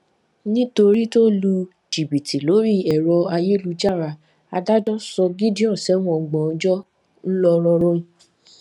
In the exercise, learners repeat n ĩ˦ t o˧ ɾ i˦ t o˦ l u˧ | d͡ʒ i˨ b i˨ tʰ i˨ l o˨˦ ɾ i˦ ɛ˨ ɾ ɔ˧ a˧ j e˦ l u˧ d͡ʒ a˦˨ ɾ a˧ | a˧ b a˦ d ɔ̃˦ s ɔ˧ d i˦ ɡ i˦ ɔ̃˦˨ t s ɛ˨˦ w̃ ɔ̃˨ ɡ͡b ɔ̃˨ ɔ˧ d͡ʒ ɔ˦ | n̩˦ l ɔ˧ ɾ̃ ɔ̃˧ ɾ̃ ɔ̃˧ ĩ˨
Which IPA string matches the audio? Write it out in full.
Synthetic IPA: n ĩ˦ t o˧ ɾ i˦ t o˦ l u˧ | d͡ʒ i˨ b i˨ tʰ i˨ l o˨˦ ɾ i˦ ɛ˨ ɾ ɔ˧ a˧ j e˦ l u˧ d͡ʒ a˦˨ ɾ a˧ | a˧ d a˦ d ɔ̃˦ s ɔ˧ ɡ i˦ d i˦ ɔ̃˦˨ s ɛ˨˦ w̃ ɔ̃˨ ɡ͡b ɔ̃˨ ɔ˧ d͡ʒ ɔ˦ | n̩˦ l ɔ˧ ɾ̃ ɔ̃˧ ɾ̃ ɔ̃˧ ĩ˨